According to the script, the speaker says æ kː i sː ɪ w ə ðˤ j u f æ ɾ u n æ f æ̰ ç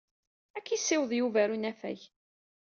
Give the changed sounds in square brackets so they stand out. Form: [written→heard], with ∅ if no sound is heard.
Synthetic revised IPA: æ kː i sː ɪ w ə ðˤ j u [f→v] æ ɾ u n æ f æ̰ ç

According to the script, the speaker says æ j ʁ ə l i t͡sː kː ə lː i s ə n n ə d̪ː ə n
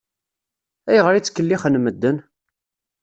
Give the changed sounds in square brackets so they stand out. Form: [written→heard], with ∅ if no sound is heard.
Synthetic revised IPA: æ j ʁ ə [l→ɾ] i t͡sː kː ə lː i [s→χ] ə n [n→m] ə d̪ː ə n

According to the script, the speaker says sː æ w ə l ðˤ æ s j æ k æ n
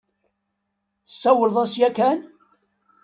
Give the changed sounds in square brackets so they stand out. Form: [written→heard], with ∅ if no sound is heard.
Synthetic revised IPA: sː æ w ə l ðˤ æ s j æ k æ n

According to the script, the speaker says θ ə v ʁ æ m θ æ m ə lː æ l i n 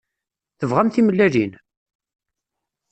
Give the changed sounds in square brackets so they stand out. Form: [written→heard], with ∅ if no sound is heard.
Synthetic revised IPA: θ ə v ʁ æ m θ [æ→i] m ə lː æ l i n

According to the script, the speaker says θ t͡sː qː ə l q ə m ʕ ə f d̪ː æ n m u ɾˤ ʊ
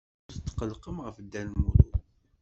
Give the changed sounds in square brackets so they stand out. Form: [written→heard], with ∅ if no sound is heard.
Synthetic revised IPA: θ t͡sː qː ə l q ə m [ʕ→ʁ] ə f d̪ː æ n m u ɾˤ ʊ

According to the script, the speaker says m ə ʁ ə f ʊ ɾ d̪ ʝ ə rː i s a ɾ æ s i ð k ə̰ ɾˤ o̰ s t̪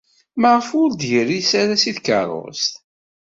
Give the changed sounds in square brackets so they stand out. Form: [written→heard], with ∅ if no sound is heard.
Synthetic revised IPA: m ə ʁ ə f ʊ ɾ d̪ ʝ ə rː i s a ɾ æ s i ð k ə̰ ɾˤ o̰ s t̪

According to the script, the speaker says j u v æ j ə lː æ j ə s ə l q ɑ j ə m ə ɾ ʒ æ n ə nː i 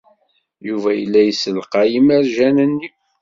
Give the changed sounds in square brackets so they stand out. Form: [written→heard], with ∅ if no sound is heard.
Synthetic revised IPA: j u v æ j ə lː æ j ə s ə l q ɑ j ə m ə ɾ ʒ æ n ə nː i

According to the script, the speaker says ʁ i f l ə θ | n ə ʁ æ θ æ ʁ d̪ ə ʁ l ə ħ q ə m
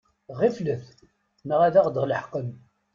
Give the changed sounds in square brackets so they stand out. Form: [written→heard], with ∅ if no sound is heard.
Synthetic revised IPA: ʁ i f l ə θ | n ə ʁ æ [θ→ð] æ ʁ d̪ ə ʁ l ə ħ q ə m

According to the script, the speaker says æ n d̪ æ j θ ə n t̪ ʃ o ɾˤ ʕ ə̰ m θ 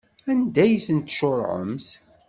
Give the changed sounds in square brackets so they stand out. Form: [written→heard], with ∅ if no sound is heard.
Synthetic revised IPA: æ n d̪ æ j θ ə n t̪ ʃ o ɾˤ ʕ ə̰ m θ

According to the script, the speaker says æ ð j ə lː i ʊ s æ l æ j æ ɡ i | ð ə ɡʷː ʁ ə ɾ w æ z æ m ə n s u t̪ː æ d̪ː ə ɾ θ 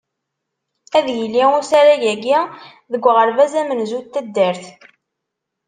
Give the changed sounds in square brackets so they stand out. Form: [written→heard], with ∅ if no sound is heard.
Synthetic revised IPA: æ ð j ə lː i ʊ s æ [l→ɾ] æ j æ ɡ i | ð ə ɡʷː ʁ ə ɾ [w→v] æ z æ m ə n [s→z] u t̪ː æ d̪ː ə ɾ θ

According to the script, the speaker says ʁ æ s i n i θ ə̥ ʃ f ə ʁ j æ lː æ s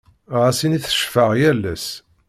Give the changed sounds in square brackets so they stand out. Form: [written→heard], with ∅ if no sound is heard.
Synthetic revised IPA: ʁ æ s i n i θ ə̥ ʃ f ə ʁ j æ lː æ s

